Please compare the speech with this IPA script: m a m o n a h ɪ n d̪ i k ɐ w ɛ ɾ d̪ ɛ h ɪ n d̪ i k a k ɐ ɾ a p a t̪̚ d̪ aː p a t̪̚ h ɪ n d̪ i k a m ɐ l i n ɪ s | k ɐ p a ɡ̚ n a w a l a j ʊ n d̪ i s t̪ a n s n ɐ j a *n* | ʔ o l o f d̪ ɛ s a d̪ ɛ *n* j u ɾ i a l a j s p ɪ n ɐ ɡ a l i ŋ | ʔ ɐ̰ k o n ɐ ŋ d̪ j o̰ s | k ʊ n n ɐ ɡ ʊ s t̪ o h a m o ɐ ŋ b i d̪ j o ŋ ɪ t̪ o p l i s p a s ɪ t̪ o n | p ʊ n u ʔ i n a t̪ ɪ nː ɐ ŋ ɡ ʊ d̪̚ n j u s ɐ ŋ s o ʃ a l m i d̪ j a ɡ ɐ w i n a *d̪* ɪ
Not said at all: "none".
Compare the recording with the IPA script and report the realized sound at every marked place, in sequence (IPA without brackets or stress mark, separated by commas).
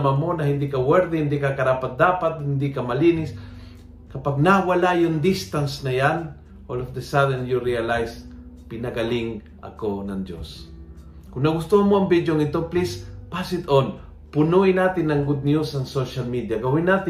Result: n, n, t̪